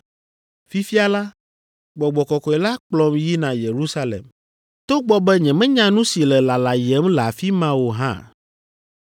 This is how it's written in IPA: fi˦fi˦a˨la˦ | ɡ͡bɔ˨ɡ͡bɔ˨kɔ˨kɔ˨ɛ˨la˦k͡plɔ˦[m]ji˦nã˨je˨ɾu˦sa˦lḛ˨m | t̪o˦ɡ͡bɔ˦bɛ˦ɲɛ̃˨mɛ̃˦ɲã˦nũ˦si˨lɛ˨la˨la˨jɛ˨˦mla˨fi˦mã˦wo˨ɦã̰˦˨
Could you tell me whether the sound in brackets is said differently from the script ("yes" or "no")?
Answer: no